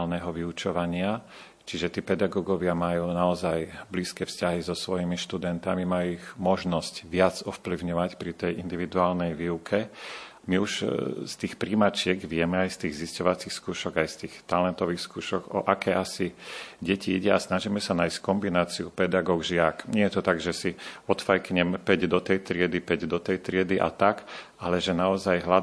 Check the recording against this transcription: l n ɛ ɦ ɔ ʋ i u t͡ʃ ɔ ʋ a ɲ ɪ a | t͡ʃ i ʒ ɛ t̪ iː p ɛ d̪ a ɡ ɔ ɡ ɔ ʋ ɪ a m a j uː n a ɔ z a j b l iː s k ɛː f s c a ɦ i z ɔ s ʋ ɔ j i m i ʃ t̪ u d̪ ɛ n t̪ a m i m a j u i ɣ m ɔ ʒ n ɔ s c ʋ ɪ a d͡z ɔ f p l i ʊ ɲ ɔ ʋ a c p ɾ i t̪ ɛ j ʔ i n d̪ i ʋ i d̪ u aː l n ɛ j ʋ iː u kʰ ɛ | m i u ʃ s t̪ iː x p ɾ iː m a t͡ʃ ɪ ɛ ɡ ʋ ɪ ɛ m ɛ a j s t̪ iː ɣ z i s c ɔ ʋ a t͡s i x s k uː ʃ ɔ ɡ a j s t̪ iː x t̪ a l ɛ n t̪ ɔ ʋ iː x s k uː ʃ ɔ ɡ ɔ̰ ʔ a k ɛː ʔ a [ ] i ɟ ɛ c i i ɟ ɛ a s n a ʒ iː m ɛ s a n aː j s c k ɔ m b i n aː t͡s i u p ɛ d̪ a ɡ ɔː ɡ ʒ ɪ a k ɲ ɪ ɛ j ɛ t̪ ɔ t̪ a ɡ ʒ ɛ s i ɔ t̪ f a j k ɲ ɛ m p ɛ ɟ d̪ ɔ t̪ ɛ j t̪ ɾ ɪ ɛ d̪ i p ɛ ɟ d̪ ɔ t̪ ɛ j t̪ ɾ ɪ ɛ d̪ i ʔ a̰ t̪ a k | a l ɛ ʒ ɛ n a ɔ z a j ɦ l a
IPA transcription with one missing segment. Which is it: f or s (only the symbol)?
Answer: s